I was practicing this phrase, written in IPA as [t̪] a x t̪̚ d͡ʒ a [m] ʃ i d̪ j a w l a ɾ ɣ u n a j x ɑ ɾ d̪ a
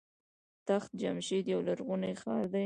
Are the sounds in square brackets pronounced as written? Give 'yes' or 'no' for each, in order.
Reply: yes, yes

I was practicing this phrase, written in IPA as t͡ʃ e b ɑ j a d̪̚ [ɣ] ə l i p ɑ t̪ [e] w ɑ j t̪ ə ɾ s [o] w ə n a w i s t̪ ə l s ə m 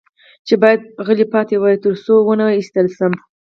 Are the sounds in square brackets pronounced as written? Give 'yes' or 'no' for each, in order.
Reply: yes, yes, yes

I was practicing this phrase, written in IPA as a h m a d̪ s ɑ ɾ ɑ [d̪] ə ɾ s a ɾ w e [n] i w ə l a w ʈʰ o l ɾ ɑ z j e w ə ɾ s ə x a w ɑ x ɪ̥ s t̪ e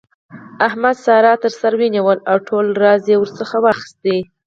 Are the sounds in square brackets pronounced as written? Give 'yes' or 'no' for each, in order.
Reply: no, yes

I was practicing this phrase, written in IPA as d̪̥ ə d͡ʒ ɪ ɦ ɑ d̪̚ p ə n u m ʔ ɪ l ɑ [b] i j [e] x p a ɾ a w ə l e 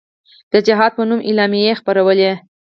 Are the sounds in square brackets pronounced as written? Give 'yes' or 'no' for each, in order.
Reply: no, yes

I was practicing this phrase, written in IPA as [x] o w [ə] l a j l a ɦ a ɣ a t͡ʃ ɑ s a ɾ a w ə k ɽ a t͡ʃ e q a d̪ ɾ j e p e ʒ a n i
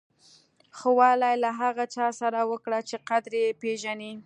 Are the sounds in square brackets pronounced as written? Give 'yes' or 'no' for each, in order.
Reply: yes, no

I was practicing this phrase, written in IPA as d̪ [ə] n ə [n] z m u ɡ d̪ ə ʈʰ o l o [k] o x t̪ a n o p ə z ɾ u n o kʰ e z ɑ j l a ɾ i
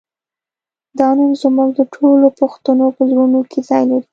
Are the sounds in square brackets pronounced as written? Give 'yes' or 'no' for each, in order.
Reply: no, yes, no

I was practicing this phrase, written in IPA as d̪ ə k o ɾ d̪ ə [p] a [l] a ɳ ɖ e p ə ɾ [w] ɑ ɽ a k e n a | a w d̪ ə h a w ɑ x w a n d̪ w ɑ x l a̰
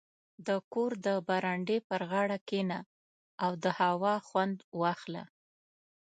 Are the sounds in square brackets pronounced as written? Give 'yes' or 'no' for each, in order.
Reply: no, no, no

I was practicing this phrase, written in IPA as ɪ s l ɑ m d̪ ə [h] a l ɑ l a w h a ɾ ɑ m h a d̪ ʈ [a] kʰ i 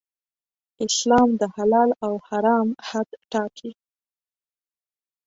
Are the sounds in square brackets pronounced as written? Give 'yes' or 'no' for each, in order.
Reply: yes, no

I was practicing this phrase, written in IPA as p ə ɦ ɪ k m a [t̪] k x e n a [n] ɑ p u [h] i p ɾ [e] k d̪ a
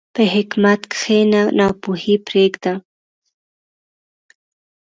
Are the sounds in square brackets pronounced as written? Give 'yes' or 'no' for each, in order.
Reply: yes, yes, yes, yes

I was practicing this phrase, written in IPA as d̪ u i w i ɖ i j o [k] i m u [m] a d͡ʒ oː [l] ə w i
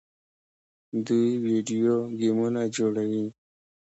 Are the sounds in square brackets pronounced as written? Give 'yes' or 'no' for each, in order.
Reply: no, no, no

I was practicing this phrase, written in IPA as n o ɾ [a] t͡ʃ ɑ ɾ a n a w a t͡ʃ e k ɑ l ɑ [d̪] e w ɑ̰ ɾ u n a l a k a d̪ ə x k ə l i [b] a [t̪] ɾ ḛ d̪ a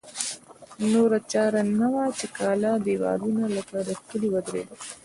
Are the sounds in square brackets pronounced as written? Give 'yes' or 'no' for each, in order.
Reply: yes, yes, no, no

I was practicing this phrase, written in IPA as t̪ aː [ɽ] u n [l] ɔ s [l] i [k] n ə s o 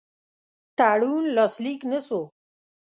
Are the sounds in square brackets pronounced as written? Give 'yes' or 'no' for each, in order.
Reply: yes, yes, yes, yes

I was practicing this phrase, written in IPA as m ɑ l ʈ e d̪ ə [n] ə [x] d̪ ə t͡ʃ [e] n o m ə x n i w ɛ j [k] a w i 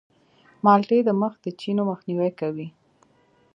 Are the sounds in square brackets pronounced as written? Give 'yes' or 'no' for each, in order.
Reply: no, yes, no, yes

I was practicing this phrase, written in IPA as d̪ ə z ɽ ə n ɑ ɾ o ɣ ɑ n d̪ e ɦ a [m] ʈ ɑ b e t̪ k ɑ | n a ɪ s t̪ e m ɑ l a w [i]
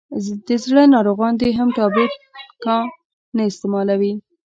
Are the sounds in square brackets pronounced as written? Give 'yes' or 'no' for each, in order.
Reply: yes, yes

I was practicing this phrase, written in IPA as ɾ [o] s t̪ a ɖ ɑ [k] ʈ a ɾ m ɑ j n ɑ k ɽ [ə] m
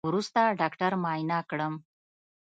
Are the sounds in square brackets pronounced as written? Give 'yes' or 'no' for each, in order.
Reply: no, yes, yes

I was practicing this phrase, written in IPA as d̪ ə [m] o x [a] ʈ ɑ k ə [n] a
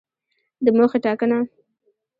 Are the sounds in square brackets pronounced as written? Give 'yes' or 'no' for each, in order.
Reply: yes, no, yes

